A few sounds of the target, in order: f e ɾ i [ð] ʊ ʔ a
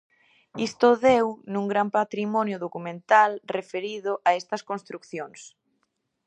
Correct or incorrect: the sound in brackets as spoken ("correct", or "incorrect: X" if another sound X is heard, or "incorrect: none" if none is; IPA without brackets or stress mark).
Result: correct